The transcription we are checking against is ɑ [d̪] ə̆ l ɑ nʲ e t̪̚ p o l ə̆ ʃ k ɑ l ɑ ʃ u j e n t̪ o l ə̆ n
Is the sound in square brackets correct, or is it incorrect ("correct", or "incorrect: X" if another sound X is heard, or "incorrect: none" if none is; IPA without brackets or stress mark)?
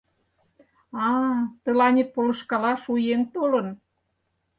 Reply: incorrect: t̪